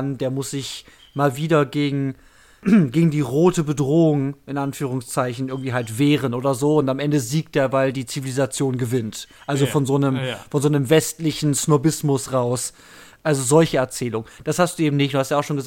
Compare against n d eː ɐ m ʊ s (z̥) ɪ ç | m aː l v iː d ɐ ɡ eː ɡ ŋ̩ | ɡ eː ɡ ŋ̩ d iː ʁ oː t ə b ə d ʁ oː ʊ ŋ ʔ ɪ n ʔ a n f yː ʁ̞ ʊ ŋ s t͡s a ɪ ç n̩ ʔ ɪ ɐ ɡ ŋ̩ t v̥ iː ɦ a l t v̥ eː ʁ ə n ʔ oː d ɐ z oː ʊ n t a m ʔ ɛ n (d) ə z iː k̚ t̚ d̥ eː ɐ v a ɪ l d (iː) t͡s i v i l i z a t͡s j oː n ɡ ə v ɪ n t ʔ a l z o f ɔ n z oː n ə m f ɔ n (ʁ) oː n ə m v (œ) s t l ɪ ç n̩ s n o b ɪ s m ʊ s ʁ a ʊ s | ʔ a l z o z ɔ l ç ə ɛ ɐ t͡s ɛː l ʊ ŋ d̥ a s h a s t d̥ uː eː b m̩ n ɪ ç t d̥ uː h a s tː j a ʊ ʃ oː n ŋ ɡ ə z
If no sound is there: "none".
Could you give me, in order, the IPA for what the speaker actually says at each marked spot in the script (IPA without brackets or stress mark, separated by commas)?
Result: z̥, d, iː, z, ɛ